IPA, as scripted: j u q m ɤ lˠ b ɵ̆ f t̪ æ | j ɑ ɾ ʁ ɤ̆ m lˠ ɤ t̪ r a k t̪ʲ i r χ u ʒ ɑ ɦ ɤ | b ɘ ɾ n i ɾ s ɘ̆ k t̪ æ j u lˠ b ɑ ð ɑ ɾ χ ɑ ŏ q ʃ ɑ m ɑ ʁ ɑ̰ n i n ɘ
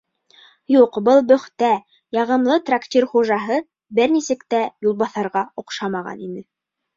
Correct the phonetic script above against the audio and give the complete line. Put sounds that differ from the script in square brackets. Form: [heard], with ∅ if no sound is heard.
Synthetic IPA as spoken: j u q [b] ɤ lˠ b ɵ̆ [χ] t̪ æ | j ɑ [∅] ʁ ɤ̆ m lˠ ɤ t̪ r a k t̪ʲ i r χ u ʒ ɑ ɦ ɤ | b ɘ ɾ n i [∅] s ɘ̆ k t̪ æ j u lˠ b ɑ [θ] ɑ ɾ [ʁ] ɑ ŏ q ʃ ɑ m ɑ ʁ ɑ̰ n i n ɘ